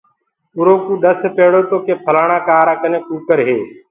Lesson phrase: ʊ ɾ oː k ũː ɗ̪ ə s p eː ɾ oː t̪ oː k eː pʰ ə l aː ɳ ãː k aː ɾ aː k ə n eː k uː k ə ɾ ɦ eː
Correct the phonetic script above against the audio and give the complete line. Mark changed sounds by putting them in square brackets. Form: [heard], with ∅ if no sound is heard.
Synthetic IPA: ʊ ɾ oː k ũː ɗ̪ ə s p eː [ɽ] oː t̪ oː k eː pʰ ə l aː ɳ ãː k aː ɾ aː k ə n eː k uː k ə ɾ ɦ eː